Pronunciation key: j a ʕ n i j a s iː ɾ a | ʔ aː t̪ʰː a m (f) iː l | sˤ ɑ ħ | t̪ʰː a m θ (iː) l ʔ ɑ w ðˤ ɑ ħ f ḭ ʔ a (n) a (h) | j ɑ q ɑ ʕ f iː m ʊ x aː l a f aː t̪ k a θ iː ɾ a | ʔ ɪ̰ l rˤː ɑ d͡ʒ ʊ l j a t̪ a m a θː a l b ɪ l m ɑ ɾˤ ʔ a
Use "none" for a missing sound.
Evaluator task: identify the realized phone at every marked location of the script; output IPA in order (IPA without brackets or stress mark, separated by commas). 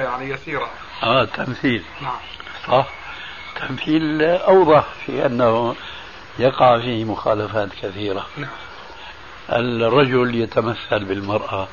θ, iː, nː, h